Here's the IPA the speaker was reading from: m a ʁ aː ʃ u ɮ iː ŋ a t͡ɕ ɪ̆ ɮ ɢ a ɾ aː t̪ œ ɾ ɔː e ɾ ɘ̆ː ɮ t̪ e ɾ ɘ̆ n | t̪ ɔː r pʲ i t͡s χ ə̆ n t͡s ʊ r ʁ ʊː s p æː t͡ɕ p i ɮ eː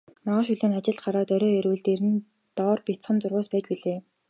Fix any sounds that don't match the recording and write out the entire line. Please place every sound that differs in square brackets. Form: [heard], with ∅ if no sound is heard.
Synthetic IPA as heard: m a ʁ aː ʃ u ɮ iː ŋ a t͡ɕ ɪ̆ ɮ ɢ a ɾ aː t̪ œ ɾ ɔː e ɾ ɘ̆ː ɮ t̪ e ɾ ɘ̆ n | t̪ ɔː r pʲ i t͡s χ ə̆ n t͡s ʊ r ʁ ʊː s p æː t͡ɕ p i ɮ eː